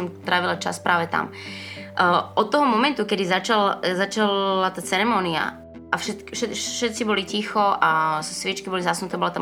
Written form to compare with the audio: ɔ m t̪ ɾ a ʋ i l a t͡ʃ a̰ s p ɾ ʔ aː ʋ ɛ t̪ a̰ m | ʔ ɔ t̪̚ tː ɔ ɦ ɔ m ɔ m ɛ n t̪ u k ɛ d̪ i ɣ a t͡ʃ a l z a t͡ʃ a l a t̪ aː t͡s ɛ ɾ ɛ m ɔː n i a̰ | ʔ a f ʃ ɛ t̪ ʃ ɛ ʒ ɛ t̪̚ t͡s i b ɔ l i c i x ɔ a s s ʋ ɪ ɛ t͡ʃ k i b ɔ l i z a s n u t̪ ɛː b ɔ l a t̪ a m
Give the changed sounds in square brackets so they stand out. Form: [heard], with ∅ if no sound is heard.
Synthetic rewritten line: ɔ m t̪ ɾ a ʋ i l a t͡ʃ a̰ s p ɾ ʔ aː ʋ ɛ t̪ a̰ m | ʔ ɔ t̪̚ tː ɔ ɦ ɔ m ɔ m ɛ n t̪ u k ɛ d̪ i [z] a t͡ʃ a l z a t͡ʃ a l a t̪ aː t͡s ɛ ɾ ɛ m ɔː n i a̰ | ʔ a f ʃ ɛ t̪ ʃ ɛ [ʃ] ɛ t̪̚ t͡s i b ɔ l i c i x ɔ a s s ʋ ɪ ɛ t͡ʃ k i b ɔ l i z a s n u t̪ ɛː b ɔ l a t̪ a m